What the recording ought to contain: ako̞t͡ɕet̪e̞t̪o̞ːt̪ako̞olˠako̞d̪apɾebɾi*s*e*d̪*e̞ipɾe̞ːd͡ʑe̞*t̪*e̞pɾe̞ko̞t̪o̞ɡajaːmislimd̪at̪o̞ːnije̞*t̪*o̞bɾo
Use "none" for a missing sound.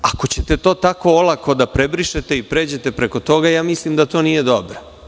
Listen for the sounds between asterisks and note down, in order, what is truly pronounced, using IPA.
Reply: ʃ, t̪, t̪, d̪

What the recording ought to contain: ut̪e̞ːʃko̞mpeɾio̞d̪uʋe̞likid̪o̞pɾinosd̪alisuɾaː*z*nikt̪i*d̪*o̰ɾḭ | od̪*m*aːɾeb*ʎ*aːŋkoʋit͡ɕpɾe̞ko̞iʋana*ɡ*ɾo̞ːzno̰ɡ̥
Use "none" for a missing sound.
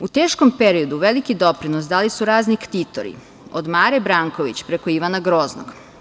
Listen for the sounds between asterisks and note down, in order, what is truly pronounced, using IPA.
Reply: z, t̪, m, ɾ, ɡ

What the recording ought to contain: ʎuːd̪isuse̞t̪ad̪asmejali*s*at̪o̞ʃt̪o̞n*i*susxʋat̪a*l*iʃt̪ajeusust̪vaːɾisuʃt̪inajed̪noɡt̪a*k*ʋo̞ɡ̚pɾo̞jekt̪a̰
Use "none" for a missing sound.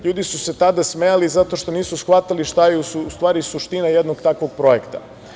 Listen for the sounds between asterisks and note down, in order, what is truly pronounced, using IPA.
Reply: z, iː, l, k

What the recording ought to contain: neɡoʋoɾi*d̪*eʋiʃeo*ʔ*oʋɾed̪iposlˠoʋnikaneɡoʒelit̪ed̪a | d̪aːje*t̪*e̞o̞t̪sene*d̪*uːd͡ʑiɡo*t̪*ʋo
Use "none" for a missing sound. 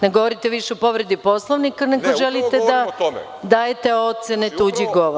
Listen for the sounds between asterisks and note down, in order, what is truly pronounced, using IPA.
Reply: t̪, p, t̪, t̪, none

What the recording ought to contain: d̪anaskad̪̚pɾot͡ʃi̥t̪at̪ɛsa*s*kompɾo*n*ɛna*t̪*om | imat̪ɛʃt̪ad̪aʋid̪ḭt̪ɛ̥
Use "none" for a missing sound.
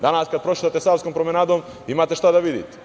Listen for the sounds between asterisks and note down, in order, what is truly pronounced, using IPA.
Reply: s, m, d̪

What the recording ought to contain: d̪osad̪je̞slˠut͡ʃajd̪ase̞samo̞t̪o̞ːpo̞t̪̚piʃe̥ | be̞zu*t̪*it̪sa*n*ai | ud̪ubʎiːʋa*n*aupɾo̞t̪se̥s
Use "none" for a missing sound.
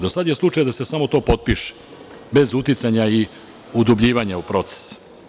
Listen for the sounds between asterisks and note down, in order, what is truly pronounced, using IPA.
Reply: t̪, ɲ, ɲ

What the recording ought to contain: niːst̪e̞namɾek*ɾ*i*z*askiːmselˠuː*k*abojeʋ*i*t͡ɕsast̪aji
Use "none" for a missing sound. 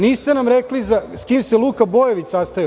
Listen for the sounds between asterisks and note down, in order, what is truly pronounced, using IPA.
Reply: l, z, k, i

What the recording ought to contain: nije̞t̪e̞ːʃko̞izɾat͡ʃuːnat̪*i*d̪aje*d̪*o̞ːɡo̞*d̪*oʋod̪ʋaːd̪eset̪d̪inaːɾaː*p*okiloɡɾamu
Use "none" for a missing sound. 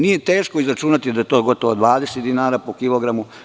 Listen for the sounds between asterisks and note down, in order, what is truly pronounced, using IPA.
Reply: i, t̪, t̪, p

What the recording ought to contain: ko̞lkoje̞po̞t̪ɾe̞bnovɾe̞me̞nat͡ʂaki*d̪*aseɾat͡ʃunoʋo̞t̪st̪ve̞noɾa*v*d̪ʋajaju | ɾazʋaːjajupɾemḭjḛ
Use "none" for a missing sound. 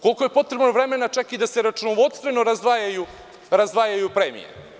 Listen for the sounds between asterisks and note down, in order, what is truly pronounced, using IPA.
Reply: d̪, z

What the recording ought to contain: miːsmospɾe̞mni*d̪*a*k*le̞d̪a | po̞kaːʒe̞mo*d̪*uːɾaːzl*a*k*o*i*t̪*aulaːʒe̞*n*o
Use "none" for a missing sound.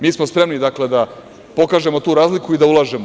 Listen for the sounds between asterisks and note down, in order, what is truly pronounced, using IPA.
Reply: d̪, k, t̪, i, u, d̪, m

